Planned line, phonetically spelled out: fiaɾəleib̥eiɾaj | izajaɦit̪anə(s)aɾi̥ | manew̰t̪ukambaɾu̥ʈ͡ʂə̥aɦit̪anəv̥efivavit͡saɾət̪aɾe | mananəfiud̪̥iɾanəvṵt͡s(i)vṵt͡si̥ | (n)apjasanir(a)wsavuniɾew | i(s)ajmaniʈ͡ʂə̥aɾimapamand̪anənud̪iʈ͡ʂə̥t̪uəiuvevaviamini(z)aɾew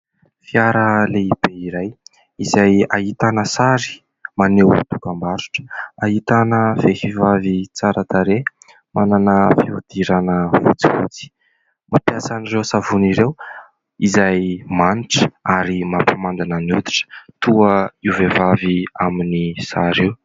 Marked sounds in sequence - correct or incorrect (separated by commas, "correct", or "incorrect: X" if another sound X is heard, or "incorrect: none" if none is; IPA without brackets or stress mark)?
correct, correct, incorrect: m, incorrect: e, incorrect: z, incorrect: s